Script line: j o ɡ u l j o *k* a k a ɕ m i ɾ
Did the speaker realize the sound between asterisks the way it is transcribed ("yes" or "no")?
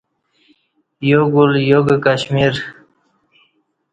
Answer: no